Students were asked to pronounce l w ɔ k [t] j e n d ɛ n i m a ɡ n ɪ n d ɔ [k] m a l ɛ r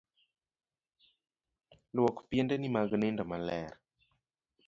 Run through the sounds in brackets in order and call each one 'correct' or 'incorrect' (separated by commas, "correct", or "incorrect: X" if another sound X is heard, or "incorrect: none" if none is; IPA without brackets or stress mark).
incorrect: p, incorrect: none